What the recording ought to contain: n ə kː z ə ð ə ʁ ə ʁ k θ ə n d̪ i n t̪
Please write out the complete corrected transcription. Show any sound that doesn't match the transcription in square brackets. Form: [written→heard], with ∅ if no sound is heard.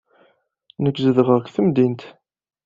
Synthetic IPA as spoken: n ə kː z ə ð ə ʁ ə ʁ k θ ə [n→m] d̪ i n t̪

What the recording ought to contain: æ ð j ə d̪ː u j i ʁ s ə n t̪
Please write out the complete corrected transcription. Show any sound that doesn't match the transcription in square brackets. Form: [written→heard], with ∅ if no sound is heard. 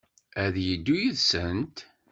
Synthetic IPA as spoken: æ ð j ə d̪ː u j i [ʁ→ð] s ə n t̪

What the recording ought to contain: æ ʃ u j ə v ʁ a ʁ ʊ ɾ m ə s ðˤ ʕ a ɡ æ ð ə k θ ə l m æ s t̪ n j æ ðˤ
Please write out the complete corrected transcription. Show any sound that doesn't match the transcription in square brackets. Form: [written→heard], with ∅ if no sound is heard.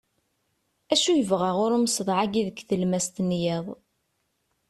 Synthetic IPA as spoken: æ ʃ u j ə v ʁ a ʁ ʊ ɾ m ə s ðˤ ʕ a ɡ [æ→i] ð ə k θ ə l m æ s t̪ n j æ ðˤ

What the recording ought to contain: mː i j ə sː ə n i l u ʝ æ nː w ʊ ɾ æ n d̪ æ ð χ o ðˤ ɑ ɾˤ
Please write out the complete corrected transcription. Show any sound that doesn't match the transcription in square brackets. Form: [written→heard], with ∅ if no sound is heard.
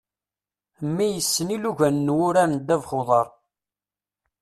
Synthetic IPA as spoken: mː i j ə sː ə n i l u ʝ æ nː w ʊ ɾ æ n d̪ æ [ð→v] χ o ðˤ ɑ ɾˤ

